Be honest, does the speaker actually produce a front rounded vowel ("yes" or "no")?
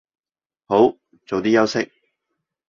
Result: no